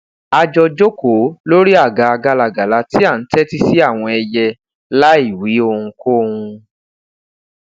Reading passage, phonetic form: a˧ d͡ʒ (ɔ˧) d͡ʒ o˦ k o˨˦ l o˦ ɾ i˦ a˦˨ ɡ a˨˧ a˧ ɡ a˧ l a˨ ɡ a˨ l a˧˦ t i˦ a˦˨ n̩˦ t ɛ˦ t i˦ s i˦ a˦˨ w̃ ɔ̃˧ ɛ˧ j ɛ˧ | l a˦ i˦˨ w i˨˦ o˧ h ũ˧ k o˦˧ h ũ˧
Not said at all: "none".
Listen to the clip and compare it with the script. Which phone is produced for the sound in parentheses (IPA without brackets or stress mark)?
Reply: ɔ˧